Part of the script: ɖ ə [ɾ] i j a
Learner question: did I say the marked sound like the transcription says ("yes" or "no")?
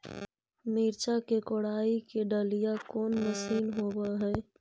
no